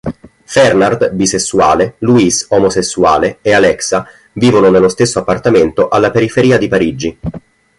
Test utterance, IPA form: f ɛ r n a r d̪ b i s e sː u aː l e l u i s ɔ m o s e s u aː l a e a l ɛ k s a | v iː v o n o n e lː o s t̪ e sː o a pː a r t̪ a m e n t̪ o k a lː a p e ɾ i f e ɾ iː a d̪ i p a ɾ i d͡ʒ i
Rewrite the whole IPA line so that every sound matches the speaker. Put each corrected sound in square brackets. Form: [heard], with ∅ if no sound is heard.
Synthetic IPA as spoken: f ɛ r n a r d̪ b i s e sː u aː l e l u i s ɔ m o s e [sː] u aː l [e] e a l ɛ k s a | v iː v o n o n e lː o s t̪ e sː o a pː a r t̪ a m e n t̪ o [ʔ] a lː a p e ɾ i f e ɾ iː a d̪ i p a ɾ i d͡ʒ i